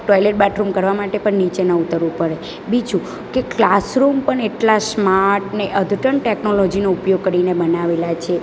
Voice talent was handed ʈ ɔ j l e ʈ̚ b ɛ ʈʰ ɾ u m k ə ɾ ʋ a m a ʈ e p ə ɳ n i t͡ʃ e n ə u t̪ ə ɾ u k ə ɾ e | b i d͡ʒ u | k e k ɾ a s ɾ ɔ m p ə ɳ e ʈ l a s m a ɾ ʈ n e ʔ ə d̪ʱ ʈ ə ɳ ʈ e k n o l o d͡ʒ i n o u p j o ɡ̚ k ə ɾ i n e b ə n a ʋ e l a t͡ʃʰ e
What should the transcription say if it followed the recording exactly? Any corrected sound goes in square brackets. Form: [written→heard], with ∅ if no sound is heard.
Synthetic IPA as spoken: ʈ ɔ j l e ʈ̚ b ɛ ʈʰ ɾ u m k ə ɾ ʋ a m a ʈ e p ə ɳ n i t͡ʃ e n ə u t̪ ə ɾ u [k→p] ə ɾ e | b i d͡ʒ u | k e k [ɾ→l] a s ɾ [ɔ→u] m p ə ɳ e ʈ l a s m a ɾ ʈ n e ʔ ə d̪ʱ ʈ ə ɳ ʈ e k n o l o d͡ʒ i n o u p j o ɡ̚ k ə ɾ i n e b ə n a ʋ e l a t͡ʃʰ e